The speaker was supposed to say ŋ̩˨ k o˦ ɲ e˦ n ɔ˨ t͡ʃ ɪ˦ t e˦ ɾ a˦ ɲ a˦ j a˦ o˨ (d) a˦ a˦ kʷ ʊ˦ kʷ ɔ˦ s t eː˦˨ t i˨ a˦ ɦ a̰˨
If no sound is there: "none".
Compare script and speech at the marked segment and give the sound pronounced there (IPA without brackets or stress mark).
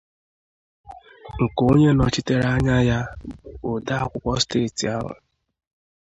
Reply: d